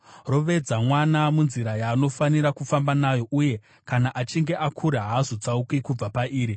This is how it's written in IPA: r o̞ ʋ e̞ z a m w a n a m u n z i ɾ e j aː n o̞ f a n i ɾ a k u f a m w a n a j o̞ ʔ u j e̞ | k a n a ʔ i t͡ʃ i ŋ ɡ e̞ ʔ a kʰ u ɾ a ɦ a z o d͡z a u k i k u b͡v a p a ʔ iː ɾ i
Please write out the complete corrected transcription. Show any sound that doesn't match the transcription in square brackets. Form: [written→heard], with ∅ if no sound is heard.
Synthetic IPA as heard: r o̞ ʋ e̞ [z→d͡z] a m w a n a m u n z i ɾ [e→a] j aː n o̞ f a n i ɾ a k u f a m [w→b] a n a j o̞ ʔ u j e̞ | k a n a ʔ [i→a] t͡ʃ i ŋ ɡ e̞ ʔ a kʰ u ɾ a ɦ a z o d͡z a u k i k u b͡v a p a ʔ iː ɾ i

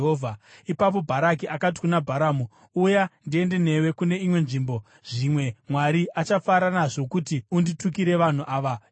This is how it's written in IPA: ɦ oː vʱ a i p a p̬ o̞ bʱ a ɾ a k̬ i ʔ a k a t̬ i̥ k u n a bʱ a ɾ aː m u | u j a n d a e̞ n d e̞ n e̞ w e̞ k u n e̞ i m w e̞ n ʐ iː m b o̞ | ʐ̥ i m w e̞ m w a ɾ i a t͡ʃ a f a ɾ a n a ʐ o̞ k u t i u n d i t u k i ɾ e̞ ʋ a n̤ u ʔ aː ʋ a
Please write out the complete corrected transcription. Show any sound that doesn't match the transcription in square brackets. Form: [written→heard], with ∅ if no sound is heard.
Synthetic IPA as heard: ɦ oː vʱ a i p a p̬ o̞ bʱ a ɾ a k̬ i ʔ a k a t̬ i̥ k u n a bʱ a ɾ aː m u | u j a n d [a→i] e̞ n d e̞ n e̞ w e̞ k u n e̞ i m w e̞ n ʐ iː m b o̞ | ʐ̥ i m w e̞ m w a ɾ i a t͡ʃ a f a ɾ a n a ʐ o̞ k u t i u n d i t u k i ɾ e̞ ʋ a n̤ u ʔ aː ʋ a

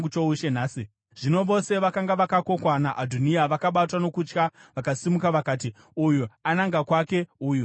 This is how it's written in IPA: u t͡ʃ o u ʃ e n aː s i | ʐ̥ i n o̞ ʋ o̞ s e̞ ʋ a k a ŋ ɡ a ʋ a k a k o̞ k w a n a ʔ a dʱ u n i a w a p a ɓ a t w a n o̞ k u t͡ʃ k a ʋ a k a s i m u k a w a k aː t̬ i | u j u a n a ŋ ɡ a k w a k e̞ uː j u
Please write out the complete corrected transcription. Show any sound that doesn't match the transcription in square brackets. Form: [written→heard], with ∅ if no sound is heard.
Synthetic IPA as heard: u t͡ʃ o u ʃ e n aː s i | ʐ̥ i n o̞ ʋ o̞ s e̞ ʋ a k a ŋ ɡ a ʋ a k a k o̞ k w a n a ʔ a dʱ u n i a [w→ʋ] a [p→k] a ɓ a t w a n o̞ k u t͡ʃ k a ʋ a k a s i m u k a [w→ʋ] a k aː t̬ i | u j u a n a ŋ ɡ a k w a k e̞ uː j u

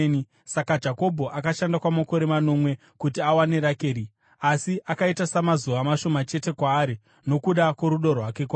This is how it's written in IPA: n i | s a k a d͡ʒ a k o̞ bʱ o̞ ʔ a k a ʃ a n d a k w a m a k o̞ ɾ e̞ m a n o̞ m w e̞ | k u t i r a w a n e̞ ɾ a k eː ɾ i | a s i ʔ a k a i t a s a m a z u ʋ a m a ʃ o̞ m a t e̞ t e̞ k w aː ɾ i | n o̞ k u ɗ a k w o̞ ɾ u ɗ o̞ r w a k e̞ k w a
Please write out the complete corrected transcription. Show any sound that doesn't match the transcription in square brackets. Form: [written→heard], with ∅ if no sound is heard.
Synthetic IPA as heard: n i | s a k a d͡ʒ a k o̞ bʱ o̞ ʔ a k a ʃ a n d a k w a m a k o̞ ɾ e̞ m a n o̞ m w e̞ | k u t i [r→∅] a w a n e̞ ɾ a k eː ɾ i | a s i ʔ a k a i t a s a m a z u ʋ a m a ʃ o̞ m a [t→t͡ʃ] e̞ t e̞ k w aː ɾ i | n o̞ k u ɗ a k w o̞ ɾ u ɗ o̞ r w a k e̞ k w a

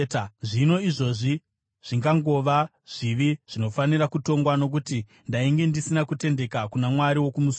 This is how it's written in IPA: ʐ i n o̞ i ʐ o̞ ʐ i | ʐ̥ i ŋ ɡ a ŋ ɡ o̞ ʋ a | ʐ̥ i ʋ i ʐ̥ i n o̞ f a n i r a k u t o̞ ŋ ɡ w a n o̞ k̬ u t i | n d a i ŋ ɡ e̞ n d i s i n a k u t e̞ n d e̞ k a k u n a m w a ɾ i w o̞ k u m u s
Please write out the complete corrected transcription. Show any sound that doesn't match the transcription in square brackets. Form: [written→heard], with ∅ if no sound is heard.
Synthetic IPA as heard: ʐ i n o̞ i ʐ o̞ ʐ i | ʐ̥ i ŋ ɡ a ŋ ɡ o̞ ʋ a | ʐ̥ i ʋ i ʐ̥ i n o̞ f a n i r a k u t o̞ ŋ ɡ w a n o̞ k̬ u t i | n d a i ŋ ɡ e̞ n d i s i n a k u t e̞ n d e̞ k a k u n a m w a ɾ i w o̞ k u m u s

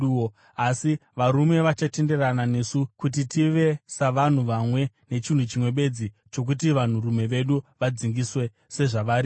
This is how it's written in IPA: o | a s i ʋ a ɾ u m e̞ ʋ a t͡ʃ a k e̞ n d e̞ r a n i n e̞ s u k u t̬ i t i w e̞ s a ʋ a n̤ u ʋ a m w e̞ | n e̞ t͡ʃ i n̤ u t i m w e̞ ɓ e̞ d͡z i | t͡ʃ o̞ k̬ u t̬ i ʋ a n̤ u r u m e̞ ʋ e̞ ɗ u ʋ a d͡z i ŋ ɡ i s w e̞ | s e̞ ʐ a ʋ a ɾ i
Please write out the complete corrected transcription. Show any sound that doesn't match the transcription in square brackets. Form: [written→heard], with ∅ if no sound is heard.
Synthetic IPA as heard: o | a s i ʋ a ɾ u m e̞ ʋ a t͡ʃ a [k→t] e̞ n d e̞ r a n [i→a] n e̞ s u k u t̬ i t i [w→ʋ] e̞ s a ʋ a n̤ u ʋ a m w e̞ | n e̞ t͡ʃ i n̤ u [t→t͡ʃ] i m w e̞ ɓ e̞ d͡z i | t͡ʃ o̞ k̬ u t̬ i ʋ a n̤ u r u m e̞ ʋ e̞ ɗ u ʋ a d͡z i ŋ ɡ i s w e̞ | s e̞ ʐ a ʋ a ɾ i

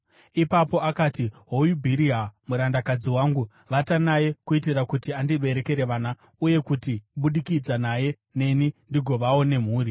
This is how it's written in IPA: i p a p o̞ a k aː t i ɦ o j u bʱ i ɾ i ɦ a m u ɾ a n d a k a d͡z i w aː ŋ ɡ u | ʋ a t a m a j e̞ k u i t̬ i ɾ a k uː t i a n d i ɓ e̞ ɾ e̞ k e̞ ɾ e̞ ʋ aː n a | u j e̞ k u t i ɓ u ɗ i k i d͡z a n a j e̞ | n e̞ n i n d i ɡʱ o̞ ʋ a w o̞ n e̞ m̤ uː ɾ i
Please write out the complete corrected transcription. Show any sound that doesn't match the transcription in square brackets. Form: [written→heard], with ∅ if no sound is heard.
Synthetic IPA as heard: i p a p o̞ a k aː t i ɦ o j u bʱ i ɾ i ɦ a m u ɾ a n d a k a d͡z i w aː ŋ ɡ u | ʋ a t a [m→n] a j e̞ k u i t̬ i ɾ a k [uː→u] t i a n d i ɓ e̞ ɾ e̞ k e̞ ɾ e̞ ʋ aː n a | u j e̞ k u t i ɓ u ɗ i k i d͡z a n a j e̞ | n e̞ n i n d i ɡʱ o̞ ʋ a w o̞ n e̞ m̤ uː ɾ i

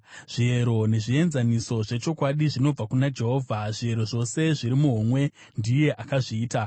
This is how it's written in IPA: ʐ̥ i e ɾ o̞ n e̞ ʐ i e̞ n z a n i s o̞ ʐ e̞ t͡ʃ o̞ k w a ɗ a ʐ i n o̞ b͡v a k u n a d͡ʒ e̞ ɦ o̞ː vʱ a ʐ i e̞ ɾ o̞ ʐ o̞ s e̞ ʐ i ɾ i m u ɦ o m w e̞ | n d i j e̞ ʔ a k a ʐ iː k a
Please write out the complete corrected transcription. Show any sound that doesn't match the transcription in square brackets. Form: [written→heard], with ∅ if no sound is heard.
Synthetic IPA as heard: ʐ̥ i e ɾ o̞ n e̞ ʐ i e̞ n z a n i s o̞ ʐ e̞ t͡ʃ o̞ k w a ɗ [a→i] ʐ i n o̞ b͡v a k u n a d͡ʒ e̞ ɦ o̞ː vʱ a ʐ i e̞ ɾ o̞ ʐ o̞ s e̞ ʐ i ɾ i m u ɦ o m w e̞ | n d i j e̞ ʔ a k a ʐ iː [k→t] a

